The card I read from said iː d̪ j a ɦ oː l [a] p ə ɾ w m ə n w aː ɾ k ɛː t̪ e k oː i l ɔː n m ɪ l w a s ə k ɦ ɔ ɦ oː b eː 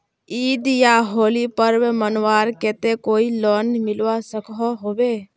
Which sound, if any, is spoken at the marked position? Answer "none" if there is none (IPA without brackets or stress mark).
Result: i